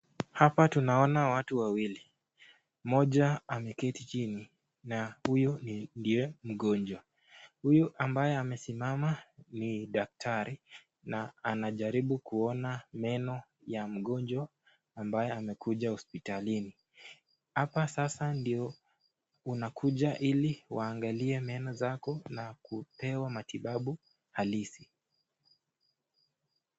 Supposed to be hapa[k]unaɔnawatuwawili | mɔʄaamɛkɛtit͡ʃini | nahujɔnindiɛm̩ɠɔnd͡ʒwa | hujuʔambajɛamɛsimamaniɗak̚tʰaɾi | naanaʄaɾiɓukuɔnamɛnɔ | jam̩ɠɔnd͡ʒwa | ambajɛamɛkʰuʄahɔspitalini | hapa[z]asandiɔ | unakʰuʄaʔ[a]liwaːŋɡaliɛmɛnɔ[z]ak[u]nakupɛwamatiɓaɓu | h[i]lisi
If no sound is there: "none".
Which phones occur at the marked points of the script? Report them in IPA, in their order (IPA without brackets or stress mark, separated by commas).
t, s, i, z, ɔ, a